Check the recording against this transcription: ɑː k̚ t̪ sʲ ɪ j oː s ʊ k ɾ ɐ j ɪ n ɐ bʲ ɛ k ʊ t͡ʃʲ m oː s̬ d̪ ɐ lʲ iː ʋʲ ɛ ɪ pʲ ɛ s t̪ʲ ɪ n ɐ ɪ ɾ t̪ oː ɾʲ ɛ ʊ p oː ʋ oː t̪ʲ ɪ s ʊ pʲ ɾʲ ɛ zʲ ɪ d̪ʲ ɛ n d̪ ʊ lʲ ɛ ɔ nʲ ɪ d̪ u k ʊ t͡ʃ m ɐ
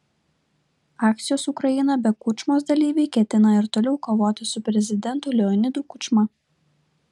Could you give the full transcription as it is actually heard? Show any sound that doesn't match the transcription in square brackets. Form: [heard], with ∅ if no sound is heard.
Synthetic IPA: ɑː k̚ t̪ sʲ ɪ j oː s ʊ k ɾ ɐ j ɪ n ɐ bʲ ɛ k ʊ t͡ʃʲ m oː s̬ d̪ ɐ lʲ iː ʋʲ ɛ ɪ [kʲ] ɛ [∅] t̪ʲ ɪ n ɐ ɪ ɾ t̪ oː [lʲ] ɛ ʊ [k] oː ʋ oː t̪ʲ ɪ s ʊ pʲ ɾʲ ɛ zʲ ɪ d̪ʲ ɛ n [t̪] ʊ lʲ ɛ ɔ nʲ ɪ d̪ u k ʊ t͡ʃ m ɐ